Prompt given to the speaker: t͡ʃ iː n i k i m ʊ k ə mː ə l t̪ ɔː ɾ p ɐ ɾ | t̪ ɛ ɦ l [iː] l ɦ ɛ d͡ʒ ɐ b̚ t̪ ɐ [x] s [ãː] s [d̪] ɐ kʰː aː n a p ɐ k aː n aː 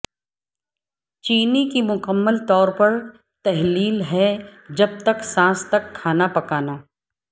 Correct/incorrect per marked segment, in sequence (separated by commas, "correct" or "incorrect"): correct, incorrect, correct, incorrect